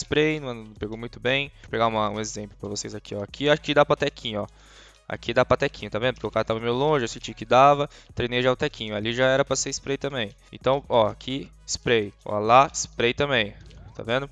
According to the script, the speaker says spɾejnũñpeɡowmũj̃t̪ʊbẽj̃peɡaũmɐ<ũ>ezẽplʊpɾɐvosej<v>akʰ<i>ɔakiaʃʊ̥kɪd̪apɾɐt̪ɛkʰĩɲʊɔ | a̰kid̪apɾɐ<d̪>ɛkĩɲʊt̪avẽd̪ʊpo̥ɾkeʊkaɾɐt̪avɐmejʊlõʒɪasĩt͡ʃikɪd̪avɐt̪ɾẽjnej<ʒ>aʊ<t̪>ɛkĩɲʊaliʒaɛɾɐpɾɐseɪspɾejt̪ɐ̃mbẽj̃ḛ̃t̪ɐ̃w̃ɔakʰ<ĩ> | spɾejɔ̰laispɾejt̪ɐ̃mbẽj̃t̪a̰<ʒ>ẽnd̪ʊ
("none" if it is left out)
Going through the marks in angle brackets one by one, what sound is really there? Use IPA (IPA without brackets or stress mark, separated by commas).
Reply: ũ, z, i, t̪, ʒ, t̪, i, v